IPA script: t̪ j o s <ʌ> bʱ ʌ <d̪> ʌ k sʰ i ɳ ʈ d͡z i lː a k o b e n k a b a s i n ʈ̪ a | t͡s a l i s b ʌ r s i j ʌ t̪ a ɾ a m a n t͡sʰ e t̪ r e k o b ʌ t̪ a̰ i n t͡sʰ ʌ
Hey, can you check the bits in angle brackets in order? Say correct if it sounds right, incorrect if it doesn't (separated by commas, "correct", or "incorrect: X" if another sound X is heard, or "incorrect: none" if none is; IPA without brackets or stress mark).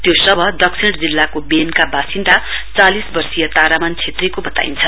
correct, correct